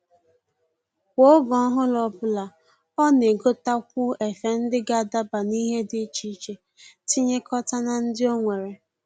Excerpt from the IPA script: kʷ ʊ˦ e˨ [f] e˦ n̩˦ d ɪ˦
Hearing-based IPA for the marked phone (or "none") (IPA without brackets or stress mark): f